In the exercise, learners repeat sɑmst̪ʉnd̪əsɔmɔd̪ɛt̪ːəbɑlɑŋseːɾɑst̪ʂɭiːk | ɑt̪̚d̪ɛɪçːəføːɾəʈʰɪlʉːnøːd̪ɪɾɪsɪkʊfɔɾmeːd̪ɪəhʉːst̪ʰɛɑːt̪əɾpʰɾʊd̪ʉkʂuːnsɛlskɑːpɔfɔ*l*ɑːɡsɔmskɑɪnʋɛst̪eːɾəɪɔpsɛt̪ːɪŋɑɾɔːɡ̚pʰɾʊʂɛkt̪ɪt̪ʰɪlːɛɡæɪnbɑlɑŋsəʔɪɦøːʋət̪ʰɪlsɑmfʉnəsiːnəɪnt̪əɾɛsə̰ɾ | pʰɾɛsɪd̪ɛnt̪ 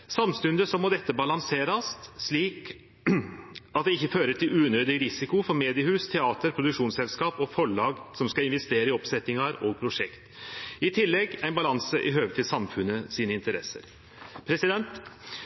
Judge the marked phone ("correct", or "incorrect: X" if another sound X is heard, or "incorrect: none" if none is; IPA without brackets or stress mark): incorrect: ɭ